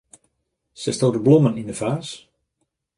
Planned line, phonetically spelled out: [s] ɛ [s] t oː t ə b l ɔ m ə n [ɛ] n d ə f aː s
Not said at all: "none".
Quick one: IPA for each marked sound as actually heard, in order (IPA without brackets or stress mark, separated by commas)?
s, s, i